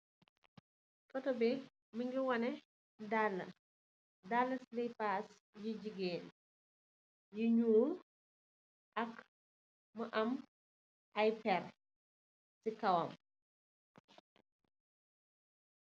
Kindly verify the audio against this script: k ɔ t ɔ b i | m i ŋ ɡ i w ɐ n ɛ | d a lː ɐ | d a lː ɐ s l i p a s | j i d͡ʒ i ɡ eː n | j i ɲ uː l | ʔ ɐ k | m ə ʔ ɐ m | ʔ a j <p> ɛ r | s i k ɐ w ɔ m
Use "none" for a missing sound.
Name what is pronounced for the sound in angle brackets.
p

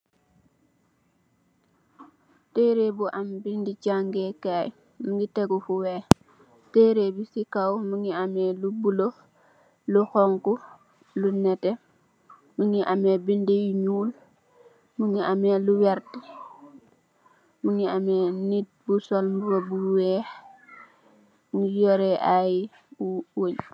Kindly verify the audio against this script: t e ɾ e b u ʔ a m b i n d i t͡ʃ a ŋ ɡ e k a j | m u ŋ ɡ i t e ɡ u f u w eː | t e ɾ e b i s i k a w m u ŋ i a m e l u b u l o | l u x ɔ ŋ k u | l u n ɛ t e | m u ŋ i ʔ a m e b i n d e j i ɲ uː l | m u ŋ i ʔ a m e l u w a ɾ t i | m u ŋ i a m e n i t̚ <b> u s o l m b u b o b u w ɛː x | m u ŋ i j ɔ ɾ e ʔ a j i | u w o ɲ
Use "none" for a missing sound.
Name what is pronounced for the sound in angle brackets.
b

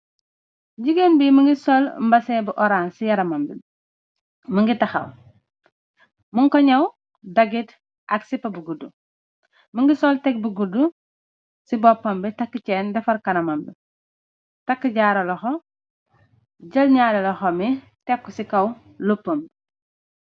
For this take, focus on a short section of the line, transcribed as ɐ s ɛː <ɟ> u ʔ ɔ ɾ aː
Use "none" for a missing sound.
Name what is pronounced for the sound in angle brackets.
b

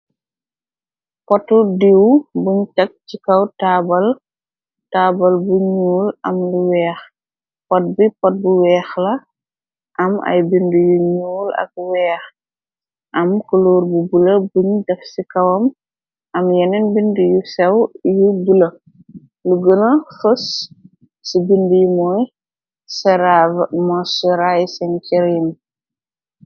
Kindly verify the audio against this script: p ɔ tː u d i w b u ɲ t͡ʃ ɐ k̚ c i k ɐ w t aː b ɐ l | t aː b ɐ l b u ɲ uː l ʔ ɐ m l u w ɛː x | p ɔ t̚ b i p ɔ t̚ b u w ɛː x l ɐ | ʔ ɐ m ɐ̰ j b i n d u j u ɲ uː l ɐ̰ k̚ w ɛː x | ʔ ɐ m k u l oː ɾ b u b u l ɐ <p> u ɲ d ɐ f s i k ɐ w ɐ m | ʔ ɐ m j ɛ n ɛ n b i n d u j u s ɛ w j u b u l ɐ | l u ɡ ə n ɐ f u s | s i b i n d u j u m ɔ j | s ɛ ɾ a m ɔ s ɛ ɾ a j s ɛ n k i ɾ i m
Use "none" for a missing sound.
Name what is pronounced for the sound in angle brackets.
b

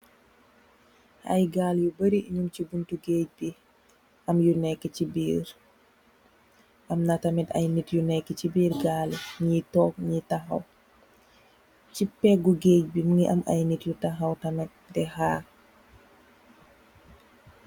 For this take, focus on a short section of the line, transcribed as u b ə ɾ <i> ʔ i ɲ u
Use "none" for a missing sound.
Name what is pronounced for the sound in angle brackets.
i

